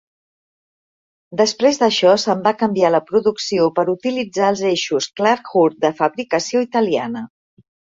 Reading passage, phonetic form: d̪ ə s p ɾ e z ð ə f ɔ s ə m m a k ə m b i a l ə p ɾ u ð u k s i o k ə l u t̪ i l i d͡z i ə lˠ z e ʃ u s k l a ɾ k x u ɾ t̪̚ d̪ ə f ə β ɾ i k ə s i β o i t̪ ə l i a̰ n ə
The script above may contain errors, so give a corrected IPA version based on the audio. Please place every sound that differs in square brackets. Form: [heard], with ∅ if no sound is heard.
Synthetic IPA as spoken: d̪ ə s p ɾ e z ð ə [ʃ] ɔ s ə m [b] a k ə m b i a l ə p ɾ u ð u k s i o [p] ə [ɾ] u t̪ i l i d͡z [a] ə lˠ z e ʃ u s k l a ɾ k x u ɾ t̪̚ d̪ ə f ə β ɾ i k ə s i [∅] o i t̪ ə l i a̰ n ə